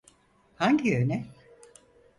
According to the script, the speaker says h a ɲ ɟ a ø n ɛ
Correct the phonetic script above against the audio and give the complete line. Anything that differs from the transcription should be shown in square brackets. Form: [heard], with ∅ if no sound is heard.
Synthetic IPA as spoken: h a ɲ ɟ [i] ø n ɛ